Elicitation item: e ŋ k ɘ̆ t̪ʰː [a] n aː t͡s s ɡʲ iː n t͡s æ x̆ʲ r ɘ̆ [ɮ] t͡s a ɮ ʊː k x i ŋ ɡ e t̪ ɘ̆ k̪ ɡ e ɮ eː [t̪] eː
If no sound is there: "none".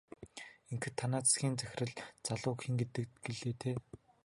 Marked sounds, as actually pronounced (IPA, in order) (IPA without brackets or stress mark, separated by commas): a, ɮ, t̪ʰ